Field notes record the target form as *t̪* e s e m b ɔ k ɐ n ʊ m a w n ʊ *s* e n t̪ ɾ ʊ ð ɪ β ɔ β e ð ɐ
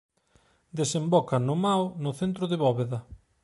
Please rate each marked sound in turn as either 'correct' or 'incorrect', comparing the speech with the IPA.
incorrect: d̪, incorrect: θ

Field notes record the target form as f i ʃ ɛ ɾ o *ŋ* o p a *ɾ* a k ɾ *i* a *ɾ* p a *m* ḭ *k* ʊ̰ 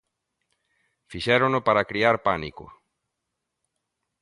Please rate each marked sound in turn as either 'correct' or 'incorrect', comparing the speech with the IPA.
incorrect: n, correct, correct, correct, incorrect: n, correct

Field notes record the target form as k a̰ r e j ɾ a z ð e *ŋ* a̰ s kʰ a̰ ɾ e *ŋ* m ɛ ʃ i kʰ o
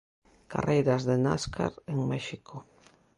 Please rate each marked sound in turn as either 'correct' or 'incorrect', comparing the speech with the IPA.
incorrect: n, correct

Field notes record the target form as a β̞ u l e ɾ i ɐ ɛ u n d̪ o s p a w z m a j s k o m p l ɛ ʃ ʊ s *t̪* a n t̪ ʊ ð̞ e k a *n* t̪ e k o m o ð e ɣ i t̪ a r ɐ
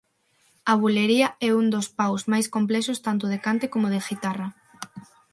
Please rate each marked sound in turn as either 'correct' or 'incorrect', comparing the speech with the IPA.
correct, correct

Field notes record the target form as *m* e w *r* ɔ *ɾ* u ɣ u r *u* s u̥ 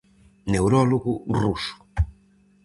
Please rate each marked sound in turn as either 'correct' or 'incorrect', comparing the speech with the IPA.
incorrect: n, incorrect: ɾ, incorrect: l, correct

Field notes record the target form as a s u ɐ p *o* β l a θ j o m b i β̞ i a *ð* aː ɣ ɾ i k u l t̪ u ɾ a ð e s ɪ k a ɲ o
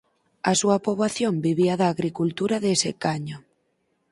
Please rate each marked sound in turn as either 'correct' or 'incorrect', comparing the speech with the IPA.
correct, correct

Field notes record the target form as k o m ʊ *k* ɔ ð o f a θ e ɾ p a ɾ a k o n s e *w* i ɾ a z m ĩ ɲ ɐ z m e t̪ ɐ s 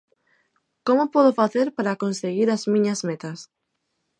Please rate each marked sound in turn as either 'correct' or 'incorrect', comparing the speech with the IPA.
incorrect: p, incorrect: ɣ

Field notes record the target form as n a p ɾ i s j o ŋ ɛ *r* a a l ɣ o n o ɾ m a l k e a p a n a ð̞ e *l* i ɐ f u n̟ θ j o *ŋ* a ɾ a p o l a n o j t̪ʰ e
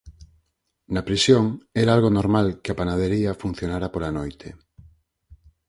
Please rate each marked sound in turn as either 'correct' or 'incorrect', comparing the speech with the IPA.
incorrect: ɾ, incorrect: ɾ, incorrect: n

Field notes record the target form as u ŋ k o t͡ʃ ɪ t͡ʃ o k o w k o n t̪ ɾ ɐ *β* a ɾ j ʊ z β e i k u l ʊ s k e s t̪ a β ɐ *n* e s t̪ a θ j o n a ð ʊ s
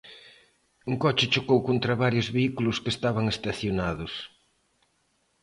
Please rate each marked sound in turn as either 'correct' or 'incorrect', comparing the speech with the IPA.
correct, incorrect: ŋ

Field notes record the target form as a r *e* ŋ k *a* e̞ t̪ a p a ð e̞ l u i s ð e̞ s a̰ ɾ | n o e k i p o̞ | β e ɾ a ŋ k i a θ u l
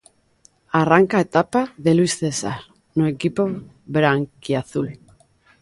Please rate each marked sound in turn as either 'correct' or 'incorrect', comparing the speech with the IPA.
incorrect: a, correct

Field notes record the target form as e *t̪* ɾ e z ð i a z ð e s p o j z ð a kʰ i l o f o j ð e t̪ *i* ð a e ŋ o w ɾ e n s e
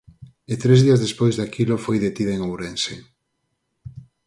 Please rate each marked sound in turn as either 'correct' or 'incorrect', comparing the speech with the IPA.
correct, correct

